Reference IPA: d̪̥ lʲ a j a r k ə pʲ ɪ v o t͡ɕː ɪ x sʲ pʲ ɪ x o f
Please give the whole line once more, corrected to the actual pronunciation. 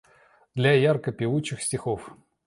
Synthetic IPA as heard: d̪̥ lʲ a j a r k ə pʲ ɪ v u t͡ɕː ɪ x sʲ tʲ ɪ x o f